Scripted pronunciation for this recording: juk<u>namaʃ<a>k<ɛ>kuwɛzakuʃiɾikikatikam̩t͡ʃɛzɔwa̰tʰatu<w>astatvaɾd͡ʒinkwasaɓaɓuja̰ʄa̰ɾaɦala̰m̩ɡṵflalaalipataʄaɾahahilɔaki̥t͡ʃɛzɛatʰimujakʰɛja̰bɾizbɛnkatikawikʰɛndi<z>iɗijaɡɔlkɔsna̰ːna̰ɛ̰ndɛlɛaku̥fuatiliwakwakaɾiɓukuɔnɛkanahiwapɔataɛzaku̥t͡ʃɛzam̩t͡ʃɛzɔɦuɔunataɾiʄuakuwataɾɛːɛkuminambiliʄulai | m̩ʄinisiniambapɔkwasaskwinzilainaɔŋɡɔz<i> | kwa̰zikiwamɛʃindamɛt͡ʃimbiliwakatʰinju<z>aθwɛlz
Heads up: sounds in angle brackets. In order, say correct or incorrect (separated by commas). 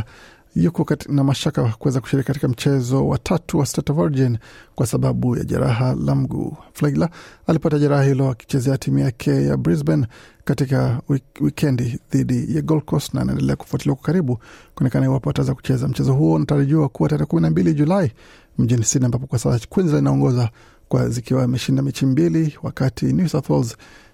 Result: incorrect, correct, incorrect, correct, incorrect, incorrect, incorrect